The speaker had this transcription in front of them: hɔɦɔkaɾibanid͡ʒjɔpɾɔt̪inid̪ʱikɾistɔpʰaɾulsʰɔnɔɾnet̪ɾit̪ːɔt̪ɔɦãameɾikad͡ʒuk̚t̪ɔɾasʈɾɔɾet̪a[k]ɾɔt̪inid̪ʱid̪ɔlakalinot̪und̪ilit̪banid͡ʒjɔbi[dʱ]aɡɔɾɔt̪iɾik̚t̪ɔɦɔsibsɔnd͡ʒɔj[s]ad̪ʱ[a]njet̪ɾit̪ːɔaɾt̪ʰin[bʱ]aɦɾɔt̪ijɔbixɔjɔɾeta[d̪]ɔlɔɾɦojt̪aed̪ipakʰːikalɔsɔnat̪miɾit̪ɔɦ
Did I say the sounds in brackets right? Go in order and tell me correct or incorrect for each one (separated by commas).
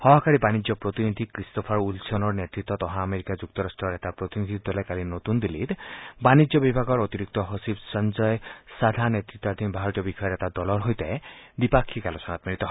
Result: incorrect, incorrect, correct, correct, correct, correct